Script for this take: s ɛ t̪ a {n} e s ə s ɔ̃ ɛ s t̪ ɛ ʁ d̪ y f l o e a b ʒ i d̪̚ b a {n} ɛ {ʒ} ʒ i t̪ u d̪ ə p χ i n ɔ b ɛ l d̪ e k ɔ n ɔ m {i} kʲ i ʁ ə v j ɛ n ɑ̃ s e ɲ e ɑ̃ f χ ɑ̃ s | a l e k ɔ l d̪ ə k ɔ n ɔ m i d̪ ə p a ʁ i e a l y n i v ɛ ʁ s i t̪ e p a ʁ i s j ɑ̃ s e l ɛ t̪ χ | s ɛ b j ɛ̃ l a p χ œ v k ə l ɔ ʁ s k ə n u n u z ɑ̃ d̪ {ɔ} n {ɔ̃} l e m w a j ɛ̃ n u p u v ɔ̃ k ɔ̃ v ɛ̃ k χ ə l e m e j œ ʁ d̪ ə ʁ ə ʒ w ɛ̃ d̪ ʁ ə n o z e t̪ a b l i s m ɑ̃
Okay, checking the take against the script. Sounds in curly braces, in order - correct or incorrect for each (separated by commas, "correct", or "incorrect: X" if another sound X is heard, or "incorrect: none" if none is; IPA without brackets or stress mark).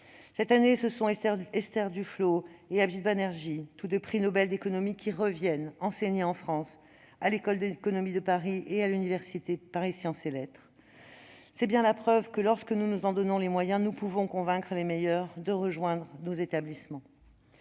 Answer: correct, correct, incorrect: ʁ, correct, correct, correct